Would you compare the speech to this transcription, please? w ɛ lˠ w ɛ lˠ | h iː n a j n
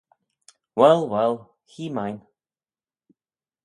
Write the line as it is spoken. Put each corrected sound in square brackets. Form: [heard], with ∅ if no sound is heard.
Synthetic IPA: w ɛ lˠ w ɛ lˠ | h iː [m] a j n